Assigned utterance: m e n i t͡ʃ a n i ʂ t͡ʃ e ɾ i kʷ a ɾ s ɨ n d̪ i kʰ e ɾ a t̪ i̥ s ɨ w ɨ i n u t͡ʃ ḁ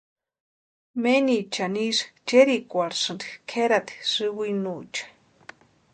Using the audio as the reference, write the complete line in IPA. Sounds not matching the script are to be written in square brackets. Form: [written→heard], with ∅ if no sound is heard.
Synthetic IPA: m e n i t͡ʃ a n i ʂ t͡ʃ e ɾ i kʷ a ɾ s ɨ n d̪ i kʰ e ɾ a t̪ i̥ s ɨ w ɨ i n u t͡ʃ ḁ

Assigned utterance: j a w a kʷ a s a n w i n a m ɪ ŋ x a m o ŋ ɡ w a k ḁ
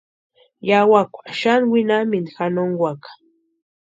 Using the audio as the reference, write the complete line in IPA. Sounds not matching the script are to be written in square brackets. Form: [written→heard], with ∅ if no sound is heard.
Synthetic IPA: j a w a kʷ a [s→ʃ] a n w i n a m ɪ [ŋ→n] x a [m→n] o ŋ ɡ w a k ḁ

